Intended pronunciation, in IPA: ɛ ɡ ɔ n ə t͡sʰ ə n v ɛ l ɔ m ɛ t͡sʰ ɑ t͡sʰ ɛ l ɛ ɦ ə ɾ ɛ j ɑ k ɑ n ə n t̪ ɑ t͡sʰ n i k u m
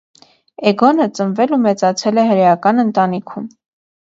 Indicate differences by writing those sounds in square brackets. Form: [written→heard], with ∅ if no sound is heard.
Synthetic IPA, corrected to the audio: ɛ ɡ ɔ n ə [t͡sʰ→t͡s] ə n v ɛ l [ɔ→u] m ɛ [t͡sʰ→t͡s] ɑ t͡sʰ ɛ l ɛ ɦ ə ɾ ɛ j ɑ k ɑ n ə n t̪ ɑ [t͡sʰ→∅] n i [k→kʰ] u m

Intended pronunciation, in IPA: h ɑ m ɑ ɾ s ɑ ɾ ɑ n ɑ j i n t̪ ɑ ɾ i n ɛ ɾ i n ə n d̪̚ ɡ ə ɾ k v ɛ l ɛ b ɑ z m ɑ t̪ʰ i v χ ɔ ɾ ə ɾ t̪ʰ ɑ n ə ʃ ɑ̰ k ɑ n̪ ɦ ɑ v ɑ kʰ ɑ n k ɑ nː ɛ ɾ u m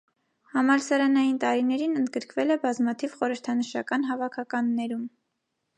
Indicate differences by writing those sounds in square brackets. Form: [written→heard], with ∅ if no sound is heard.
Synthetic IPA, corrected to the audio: h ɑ m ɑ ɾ s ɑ ɾ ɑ n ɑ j i n t̪ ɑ ɾ i n ɛ ɾ i n ə n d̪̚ ɡ ə ɾ k v ɛ l ɛ b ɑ z m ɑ t̪ʰ i v χ ɔ ɾ ə ɾ t̪ʰ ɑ n ə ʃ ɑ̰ k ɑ n̪ ɦ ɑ v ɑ kʰ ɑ [n→∅] k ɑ nː ɛ ɾ u m

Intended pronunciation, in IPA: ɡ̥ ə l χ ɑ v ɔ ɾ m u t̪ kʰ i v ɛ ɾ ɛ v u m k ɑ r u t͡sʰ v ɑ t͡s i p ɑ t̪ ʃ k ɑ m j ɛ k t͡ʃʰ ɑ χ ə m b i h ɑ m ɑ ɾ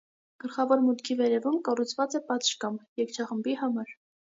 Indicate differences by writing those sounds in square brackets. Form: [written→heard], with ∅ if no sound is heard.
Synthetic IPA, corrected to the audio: ɡ̥ ə l χ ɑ v ɔ ɾ m u t̪ kʰ i v ɛ ɾ ɛ v u m k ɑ r u t͡sʰ v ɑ t͡s [i→ɛ] p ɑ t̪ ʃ k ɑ m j ɛ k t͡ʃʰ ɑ χ ə m b i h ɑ m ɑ ɾ

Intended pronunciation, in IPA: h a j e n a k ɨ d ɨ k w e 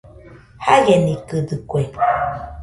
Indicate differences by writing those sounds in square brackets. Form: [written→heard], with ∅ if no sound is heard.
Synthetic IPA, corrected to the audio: h a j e n [a→i] k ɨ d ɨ k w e

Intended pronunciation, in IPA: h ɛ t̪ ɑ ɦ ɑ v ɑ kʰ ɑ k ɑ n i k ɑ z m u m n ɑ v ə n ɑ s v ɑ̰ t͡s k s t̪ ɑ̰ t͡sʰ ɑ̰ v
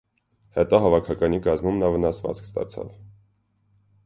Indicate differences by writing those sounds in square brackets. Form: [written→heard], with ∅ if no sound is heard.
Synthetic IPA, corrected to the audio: h ɛ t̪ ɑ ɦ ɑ v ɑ kʰ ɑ k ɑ n i k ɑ z m u m n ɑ v ə n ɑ s v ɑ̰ t͡s k s t̪ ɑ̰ t͡sʰ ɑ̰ v

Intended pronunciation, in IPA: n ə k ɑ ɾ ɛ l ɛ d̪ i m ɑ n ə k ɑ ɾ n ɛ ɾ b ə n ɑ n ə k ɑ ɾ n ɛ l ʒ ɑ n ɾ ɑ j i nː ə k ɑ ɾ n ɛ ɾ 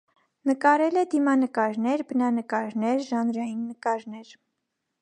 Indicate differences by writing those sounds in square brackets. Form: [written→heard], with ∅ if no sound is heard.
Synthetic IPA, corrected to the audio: n ə k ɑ ɾ ɛ l ɛ d̪ i m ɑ n ə k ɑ ɾ n ɛ ɾ b ə n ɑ n ə k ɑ ɾ n ɛ [l→ɾ] ʒ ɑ n ɾ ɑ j i nː ə k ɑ ɾ n ɛ ɾ

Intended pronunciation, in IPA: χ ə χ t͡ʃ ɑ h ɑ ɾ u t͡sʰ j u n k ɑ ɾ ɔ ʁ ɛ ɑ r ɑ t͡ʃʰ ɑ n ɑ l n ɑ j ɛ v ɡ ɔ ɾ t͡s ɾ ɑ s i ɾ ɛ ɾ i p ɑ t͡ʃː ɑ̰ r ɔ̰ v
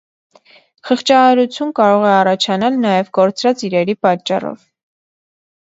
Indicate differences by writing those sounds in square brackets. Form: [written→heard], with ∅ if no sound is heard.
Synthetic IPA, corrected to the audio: χ ə χ t͡ʃ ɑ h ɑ ɾ u t͡sʰ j u n k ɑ ɾ ɔ ʁ ɛ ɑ r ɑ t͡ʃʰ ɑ n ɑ l n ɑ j ɛ v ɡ ɔ ɾ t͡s ɾ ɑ [s→t͡s] i ɾ ɛ ɾ i p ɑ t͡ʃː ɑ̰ r ɔ̰ v

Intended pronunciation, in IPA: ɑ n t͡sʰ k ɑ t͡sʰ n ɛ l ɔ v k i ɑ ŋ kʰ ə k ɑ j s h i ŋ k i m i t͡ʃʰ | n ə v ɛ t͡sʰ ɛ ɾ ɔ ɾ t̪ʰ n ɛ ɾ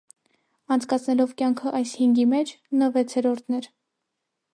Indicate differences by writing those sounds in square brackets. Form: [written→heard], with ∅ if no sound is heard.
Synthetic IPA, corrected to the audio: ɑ n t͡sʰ k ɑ t͡sʰ n ɛ l ɔ v k [i→j] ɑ ŋ kʰ ə [k→ʔ] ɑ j s h i ŋ [k→ɡ] i m [i→ɛ] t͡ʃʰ | n ə v ɛ t͡sʰ ɛ ɾ ɔ ɾ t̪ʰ n ɛ ɾ

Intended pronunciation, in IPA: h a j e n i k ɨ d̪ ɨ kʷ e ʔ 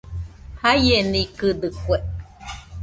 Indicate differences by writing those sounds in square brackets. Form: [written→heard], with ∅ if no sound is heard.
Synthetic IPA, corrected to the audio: h a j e n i k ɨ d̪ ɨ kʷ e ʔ

